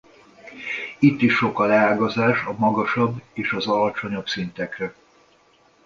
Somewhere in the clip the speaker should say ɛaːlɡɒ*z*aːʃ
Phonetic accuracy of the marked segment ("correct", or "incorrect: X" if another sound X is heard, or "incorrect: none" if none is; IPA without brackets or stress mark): correct